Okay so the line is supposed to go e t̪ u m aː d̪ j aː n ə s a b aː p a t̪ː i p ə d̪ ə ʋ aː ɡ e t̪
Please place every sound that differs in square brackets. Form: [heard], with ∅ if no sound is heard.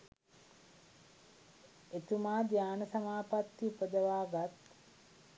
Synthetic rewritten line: e t̪ u m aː d̪ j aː n ə s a [m] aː p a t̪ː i p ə d̪ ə ʋ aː ɡ [a] t̪